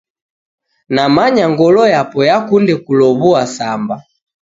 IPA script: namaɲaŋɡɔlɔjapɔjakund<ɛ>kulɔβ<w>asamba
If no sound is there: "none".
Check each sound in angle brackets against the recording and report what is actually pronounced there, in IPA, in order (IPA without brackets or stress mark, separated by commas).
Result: ɛ, u